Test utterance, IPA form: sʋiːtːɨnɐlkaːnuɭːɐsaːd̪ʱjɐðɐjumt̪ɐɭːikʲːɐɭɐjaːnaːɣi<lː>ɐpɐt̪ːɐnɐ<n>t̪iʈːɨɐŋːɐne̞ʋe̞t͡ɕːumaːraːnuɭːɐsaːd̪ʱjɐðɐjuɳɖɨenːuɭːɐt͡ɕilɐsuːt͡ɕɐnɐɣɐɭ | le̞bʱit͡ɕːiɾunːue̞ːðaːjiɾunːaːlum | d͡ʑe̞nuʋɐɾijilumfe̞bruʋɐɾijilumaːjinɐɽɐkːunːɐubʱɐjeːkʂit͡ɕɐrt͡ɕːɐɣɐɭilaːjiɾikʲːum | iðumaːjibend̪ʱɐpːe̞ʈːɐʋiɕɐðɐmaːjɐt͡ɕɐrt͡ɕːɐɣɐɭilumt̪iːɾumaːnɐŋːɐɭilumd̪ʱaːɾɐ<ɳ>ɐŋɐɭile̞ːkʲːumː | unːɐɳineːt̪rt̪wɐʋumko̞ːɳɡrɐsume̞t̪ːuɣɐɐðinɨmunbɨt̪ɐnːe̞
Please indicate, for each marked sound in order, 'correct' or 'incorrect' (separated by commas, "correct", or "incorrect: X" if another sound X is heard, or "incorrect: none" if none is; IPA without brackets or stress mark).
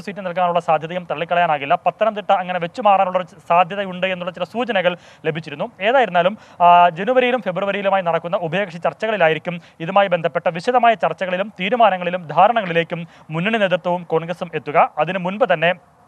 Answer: correct, incorrect: m, correct